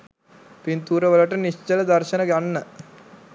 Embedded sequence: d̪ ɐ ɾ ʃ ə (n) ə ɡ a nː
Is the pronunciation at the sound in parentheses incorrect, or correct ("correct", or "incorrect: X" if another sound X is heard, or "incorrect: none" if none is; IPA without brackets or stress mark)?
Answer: correct